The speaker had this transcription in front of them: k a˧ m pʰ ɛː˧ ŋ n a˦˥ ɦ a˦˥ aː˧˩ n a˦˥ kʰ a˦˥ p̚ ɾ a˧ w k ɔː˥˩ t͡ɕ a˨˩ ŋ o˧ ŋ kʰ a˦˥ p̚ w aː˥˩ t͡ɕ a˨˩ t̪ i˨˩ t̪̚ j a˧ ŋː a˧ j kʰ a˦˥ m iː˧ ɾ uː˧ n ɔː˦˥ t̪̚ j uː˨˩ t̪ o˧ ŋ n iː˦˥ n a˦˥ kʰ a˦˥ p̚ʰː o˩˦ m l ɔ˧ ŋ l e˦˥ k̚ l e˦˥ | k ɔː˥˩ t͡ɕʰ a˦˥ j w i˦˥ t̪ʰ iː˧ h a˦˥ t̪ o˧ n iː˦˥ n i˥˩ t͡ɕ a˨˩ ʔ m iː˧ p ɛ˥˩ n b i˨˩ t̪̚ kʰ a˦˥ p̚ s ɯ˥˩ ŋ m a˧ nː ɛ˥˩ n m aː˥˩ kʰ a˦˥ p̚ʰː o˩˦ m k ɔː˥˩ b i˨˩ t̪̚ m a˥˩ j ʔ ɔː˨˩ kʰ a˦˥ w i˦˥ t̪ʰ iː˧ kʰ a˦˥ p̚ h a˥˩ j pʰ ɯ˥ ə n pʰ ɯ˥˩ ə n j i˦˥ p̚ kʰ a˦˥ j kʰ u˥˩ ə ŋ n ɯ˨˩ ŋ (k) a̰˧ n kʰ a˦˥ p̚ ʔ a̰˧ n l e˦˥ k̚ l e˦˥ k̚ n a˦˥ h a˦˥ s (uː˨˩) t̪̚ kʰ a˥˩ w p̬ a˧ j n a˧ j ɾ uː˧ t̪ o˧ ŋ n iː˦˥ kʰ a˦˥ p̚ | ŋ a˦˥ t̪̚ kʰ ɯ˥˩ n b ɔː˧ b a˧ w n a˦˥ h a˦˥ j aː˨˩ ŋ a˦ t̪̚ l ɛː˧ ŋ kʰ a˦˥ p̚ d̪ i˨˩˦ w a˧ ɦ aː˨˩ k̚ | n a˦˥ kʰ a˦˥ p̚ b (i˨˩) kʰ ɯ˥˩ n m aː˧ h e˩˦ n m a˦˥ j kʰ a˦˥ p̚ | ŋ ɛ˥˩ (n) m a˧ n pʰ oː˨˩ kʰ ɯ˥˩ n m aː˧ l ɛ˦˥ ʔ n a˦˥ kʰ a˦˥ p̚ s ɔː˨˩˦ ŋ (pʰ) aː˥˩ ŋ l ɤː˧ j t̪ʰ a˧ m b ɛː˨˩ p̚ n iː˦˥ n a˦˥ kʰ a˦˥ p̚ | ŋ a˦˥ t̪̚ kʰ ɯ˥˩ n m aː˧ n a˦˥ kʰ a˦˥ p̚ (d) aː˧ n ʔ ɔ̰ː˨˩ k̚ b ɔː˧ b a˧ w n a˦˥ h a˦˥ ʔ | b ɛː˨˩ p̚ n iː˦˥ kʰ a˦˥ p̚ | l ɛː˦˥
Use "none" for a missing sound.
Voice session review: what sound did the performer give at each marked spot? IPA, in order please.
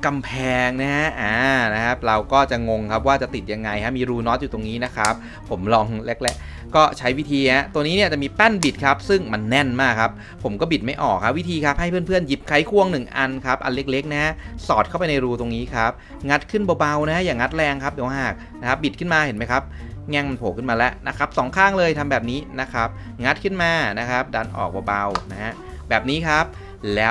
ʔ, ɔː˨˩, i˨˩, ŋ, kʰ, d

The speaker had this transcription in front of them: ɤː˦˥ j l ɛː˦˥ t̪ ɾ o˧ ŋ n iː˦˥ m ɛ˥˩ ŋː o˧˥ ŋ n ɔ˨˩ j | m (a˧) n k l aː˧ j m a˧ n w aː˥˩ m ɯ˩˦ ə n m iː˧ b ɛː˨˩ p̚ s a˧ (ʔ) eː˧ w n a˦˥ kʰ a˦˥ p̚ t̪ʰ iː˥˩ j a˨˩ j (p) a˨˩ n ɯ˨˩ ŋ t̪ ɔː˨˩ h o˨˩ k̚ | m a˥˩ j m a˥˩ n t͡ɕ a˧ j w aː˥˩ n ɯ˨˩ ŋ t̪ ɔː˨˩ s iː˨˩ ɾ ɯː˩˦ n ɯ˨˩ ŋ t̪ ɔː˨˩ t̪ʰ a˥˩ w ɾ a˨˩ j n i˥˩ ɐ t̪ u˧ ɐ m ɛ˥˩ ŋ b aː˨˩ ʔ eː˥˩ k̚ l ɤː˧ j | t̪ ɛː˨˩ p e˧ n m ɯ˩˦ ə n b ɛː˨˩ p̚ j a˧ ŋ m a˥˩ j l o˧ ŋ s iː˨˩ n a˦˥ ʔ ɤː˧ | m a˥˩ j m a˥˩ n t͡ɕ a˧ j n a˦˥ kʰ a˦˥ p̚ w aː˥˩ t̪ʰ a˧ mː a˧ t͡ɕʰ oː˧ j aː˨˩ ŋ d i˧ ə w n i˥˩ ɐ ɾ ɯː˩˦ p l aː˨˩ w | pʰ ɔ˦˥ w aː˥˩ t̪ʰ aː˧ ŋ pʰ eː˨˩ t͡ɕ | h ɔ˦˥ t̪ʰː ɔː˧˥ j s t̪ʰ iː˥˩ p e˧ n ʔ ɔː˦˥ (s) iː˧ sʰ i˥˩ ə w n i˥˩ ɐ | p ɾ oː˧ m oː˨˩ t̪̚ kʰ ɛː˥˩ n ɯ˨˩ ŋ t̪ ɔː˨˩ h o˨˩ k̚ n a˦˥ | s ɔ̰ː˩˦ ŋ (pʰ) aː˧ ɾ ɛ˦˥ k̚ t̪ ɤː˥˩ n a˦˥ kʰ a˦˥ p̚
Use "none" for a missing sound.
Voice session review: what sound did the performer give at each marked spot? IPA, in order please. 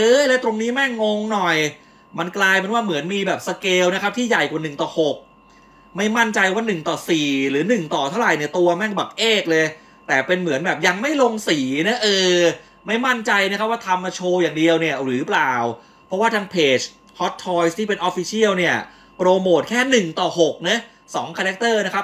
a˧, k, k, f, kʰ

